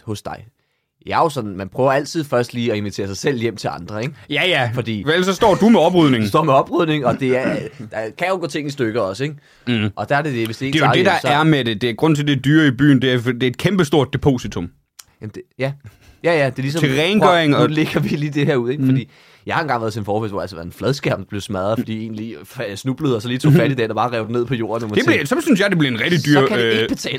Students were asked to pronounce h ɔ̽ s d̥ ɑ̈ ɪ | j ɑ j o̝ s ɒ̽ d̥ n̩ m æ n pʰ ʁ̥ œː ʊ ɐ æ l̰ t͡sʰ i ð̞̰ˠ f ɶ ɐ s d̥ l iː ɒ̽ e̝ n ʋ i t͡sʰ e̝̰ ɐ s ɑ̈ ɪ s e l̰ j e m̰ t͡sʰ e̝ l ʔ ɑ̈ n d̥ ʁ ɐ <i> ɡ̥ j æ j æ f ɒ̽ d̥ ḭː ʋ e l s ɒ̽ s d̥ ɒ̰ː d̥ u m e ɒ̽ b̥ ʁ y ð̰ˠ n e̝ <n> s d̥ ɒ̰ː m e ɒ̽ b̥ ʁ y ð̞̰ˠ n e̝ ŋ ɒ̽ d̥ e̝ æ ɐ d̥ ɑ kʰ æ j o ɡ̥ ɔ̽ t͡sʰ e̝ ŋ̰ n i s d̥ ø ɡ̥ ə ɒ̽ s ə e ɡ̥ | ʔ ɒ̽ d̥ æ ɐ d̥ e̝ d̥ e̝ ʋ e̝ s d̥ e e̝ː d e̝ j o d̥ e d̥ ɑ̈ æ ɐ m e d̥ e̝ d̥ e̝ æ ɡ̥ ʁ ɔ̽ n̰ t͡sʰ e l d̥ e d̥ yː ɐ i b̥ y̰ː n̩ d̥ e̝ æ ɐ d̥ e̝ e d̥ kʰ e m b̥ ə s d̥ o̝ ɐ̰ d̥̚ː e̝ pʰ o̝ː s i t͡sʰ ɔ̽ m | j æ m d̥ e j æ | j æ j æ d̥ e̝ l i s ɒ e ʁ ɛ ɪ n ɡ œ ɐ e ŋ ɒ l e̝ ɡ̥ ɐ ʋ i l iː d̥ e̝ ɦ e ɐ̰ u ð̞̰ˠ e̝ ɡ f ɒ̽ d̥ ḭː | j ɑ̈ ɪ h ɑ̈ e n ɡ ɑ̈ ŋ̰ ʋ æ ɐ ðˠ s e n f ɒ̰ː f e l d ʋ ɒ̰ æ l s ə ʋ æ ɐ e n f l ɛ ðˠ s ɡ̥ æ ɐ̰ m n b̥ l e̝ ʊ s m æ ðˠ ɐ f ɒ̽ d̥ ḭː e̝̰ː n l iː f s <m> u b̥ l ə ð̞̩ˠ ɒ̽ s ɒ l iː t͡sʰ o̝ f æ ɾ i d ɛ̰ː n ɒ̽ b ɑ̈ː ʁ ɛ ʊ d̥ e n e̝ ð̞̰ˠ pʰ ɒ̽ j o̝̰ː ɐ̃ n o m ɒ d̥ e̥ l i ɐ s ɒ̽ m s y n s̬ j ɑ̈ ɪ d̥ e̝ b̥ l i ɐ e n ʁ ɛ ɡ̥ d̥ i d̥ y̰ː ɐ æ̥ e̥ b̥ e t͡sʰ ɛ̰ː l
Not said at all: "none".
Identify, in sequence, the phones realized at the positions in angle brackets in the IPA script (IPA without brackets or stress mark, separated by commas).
e, ŋ, n